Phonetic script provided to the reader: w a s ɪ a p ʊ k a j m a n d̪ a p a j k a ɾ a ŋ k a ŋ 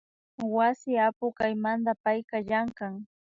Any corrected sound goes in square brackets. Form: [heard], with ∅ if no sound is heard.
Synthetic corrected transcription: w a s ɪ a p ʊ k a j m a n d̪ a p a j k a [ʎ] a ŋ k a ŋ

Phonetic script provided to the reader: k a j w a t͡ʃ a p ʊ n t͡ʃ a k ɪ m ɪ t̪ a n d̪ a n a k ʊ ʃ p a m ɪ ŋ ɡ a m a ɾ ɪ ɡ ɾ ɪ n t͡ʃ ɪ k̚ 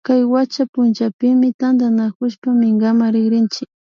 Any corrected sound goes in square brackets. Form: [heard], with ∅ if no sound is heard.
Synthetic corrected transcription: k a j w a t͡ʃ a p ʊ n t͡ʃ a [p] ɪ m ɪ t̪ a n d̪ a n a k ʊ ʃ p a m ɪ ŋ ɡ a m a ɾ ɪ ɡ ɾ ɪ n t͡ʃ ɪ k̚

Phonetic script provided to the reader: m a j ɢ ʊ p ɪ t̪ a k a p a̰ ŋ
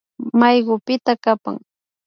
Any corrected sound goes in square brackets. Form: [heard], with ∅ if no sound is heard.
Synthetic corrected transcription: m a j ɢ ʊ p ɪ t̪ a k a p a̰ ŋ

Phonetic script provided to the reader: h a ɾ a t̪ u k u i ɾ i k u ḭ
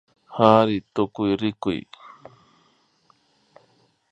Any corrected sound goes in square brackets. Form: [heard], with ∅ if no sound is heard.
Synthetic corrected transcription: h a ɾ [i] t̪ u k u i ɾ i k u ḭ

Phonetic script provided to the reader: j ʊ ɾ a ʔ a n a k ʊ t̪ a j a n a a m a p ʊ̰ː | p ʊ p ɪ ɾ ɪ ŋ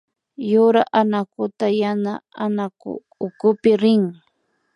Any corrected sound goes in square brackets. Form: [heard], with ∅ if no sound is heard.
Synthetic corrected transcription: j ʊ ɾ a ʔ a n a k ʊ t̪ a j a n a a [n] a [k] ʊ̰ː | [k] ʊ p ɪ ɾ ɪ ŋ

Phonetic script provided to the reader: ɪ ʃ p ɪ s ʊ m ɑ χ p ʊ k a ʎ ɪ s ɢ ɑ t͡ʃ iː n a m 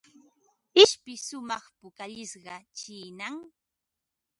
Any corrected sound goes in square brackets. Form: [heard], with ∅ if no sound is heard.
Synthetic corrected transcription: ɪ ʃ p ɪ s ʊ m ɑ χ p ʊ k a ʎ ɪ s ɢ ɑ t͡ʃ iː n a [ŋ]

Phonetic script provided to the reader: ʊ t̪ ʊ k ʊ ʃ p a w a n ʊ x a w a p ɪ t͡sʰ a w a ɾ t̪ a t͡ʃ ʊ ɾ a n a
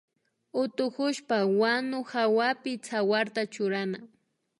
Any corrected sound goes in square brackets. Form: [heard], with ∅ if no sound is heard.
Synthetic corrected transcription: ʊ t̪ ʊ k ʊ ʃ p a w a n ʊ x a w a p ɪ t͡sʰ a w a ɾ t̪ a t͡ʃ ʊ ɾ a n a

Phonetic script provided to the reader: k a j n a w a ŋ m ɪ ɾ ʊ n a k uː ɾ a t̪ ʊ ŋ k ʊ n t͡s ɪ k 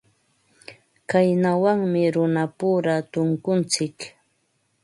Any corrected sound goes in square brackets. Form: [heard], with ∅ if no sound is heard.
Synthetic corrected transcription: k a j n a w a ŋ m ɪ ɾ ʊ n a [p] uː ɾ a t̪ ʊ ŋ k ʊ n t͡s ɪ k

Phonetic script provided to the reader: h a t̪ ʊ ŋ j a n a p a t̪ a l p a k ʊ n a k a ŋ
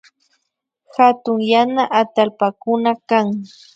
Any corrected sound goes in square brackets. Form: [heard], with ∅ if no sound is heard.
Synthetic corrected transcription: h a t̪ ʊ ŋ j a n a [ʔ] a t̪ a l p a k ʊ n a k a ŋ

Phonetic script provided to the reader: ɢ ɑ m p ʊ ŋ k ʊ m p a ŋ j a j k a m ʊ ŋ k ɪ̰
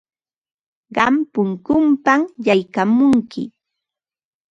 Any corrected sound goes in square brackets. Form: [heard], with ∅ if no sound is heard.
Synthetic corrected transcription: ɢ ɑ m p ʊ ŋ k ʊ m p a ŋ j a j k a m ʊ ŋ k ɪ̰

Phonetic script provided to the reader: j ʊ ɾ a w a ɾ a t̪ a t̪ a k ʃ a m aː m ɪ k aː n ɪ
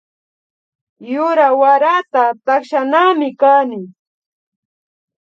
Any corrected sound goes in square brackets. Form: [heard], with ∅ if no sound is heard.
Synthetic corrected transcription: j ʊ ɾ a w a ɾ a t̪ a t̪ a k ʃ a [n] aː m ɪ k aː n ɪ

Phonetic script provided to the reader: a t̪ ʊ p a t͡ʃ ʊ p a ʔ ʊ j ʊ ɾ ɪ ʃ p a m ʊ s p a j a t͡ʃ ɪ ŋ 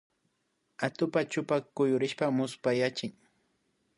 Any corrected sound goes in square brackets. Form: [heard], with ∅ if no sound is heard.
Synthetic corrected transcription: a t̪ ʊ p a t͡ʃ ʊ p a [k] ʊ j ʊ ɾ ɪ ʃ p a m ʊ s p a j a t͡ʃ ɪ ŋ

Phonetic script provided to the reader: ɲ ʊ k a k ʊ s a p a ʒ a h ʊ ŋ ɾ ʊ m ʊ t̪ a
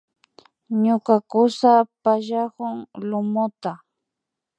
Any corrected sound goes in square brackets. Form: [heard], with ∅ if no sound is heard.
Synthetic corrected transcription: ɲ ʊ k a k ʊ s a p a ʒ a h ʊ ŋ [l] ʊ m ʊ t̪ a

